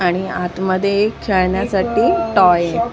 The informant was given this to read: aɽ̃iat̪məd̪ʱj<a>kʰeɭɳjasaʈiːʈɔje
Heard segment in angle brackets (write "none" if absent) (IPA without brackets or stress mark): e